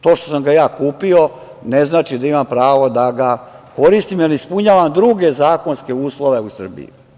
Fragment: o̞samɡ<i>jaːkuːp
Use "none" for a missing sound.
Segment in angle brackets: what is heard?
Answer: a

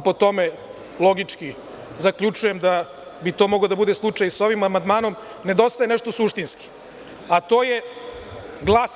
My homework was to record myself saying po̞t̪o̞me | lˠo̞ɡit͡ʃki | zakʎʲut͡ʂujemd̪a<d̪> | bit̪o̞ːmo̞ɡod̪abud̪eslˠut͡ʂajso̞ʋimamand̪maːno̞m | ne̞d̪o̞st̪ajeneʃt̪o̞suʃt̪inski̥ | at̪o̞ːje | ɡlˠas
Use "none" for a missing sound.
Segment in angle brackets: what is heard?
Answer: none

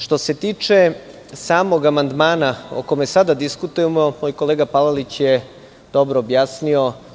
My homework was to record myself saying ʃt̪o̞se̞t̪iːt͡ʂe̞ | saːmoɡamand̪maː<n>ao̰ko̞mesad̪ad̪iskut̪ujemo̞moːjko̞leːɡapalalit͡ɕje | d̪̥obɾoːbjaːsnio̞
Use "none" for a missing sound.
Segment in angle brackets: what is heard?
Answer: n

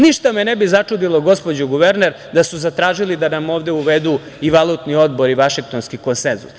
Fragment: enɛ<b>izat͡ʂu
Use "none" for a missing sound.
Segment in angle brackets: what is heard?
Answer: b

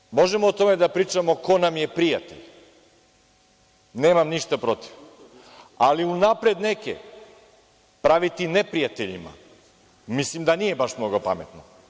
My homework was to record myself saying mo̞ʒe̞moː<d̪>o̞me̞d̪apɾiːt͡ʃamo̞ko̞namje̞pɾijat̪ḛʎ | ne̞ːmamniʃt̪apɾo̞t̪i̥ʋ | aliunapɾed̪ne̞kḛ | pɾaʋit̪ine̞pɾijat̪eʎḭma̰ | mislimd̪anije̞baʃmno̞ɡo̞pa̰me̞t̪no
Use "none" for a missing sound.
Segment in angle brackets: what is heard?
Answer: t̪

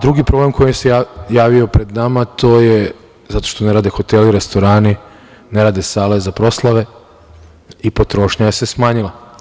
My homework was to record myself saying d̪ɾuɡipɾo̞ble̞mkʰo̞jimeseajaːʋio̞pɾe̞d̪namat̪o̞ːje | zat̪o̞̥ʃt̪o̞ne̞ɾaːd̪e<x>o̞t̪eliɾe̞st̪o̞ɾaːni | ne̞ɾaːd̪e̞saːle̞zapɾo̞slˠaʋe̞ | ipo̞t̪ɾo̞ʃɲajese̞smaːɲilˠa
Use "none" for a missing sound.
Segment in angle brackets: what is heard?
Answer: x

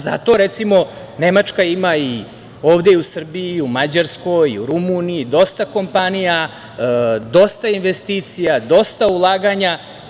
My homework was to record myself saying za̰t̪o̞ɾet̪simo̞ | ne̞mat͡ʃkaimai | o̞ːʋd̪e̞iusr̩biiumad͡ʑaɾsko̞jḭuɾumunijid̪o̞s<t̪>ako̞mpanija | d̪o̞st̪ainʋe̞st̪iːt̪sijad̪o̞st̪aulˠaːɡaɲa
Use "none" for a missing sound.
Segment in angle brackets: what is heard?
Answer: t̪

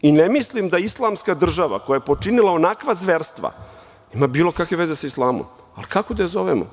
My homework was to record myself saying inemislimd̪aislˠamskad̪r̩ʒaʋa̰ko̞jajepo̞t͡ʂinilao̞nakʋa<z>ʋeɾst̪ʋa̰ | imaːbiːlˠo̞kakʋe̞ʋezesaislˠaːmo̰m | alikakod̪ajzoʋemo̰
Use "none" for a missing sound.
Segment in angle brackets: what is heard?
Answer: z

